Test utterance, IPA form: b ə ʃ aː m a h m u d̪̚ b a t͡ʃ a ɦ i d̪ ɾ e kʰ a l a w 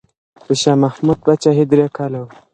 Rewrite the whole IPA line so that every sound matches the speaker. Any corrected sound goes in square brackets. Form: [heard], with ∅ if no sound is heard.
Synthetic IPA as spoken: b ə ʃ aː m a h m u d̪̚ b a t͡ʃ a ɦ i d̪ ɾ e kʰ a l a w